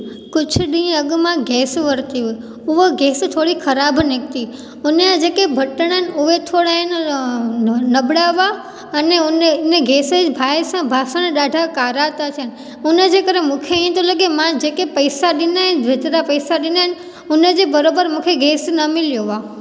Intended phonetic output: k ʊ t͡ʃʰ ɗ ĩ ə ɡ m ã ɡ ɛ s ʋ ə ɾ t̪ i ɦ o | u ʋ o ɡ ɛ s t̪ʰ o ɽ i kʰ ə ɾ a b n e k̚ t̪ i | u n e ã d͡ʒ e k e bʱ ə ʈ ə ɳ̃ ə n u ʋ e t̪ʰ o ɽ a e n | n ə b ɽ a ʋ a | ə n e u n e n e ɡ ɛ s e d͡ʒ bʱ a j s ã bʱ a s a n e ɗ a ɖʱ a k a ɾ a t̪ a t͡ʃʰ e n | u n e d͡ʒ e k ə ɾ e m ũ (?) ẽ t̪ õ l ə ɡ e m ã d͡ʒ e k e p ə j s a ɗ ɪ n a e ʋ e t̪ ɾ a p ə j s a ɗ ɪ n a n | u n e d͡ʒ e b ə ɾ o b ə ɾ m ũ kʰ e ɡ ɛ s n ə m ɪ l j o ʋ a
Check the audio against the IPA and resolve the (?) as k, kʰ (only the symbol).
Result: kʰ